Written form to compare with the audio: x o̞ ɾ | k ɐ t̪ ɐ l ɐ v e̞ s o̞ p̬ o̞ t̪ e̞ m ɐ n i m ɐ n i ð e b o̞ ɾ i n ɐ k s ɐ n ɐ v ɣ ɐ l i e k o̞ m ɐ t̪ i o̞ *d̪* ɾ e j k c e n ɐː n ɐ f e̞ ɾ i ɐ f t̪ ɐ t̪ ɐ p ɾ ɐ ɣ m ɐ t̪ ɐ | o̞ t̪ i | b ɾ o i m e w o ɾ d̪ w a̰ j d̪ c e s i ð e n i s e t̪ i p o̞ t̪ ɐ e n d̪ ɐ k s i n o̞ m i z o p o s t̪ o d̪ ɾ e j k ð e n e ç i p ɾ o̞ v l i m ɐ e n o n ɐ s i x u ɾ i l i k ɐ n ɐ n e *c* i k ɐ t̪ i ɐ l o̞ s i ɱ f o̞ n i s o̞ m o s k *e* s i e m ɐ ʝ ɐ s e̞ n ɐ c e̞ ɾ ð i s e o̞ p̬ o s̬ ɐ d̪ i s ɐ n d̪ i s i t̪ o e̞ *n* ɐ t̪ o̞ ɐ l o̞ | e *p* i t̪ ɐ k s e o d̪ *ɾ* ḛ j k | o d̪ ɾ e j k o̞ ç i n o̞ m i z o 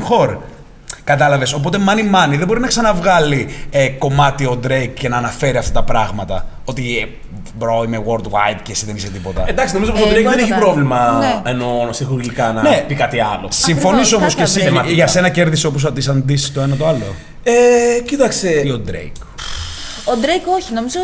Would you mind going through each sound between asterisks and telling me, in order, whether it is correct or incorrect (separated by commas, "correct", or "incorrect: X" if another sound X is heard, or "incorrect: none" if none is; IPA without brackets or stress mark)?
correct, incorrect: p, correct, correct, incorrect: c, correct